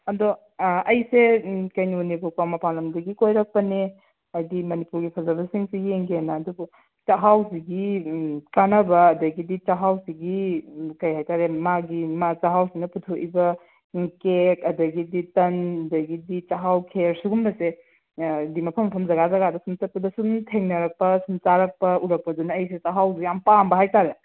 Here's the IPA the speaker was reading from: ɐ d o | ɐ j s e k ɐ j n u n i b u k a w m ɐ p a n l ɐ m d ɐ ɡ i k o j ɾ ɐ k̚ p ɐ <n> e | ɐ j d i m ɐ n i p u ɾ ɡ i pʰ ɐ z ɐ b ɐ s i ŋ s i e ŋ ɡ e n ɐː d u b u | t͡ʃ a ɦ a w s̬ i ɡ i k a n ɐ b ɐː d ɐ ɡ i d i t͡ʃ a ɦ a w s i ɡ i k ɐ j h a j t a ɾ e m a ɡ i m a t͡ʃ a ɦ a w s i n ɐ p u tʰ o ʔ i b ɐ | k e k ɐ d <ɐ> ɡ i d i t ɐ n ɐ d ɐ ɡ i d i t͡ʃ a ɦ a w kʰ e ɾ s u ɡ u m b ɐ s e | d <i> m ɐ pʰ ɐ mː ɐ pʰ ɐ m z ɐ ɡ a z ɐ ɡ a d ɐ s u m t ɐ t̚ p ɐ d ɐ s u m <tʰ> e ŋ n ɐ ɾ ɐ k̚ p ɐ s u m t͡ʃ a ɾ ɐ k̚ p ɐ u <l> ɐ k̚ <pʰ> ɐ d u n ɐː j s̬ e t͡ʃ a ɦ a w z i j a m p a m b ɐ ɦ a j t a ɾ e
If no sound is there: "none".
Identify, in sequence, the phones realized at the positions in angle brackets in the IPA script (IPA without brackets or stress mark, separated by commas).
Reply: n, ɐ, i, tʰ, ɾ, p